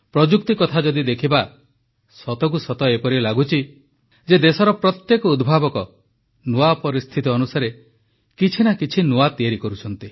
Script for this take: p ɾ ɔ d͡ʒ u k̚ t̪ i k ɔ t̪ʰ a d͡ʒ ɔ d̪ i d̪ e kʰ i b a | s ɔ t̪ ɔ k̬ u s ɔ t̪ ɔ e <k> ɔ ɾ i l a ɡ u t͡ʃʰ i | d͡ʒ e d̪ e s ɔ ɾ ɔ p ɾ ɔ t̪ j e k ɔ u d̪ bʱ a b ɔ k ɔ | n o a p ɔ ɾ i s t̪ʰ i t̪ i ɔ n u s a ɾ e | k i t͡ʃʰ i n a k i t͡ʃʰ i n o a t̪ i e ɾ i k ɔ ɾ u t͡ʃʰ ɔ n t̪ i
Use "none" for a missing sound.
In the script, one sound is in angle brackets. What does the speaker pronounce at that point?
p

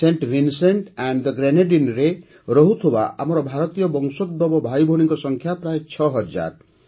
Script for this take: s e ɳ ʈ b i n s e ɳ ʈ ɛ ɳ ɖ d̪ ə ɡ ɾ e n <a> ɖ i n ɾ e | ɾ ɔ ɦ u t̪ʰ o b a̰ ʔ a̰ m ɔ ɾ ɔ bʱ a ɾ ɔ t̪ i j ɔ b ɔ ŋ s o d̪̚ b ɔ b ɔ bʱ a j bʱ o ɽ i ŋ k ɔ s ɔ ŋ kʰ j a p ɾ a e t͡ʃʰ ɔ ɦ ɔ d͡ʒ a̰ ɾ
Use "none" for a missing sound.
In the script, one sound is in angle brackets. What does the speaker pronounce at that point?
e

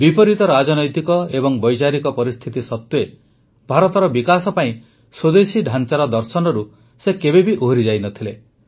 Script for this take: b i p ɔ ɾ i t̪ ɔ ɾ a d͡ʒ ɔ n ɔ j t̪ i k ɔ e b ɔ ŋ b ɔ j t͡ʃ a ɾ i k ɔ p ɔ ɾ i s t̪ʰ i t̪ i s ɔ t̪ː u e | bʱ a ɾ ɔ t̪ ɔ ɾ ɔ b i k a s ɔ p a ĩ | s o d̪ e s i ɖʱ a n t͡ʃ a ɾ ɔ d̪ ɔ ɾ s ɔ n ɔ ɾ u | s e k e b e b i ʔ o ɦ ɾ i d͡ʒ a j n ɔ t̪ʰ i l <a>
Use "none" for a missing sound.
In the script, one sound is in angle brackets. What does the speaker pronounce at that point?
e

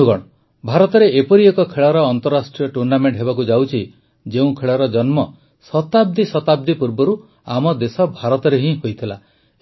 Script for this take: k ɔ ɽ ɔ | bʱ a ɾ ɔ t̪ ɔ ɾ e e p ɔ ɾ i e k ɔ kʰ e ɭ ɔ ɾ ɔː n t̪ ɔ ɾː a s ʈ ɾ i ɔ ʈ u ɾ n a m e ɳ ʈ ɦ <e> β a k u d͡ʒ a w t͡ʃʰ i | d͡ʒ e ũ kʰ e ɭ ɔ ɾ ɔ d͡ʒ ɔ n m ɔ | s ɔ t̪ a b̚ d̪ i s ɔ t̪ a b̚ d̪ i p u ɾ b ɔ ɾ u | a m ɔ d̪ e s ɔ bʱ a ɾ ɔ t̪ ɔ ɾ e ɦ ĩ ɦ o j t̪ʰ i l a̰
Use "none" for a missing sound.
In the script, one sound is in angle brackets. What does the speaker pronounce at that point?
e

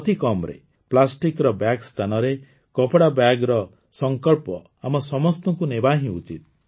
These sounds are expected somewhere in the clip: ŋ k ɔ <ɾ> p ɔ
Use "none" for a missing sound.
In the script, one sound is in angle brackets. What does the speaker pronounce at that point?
ɭ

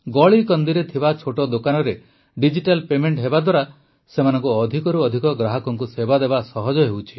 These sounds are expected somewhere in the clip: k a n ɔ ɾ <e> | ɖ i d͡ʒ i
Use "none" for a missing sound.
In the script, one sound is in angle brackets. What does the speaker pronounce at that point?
e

